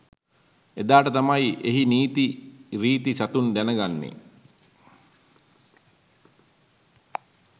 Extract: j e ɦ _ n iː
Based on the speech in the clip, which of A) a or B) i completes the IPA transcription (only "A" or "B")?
B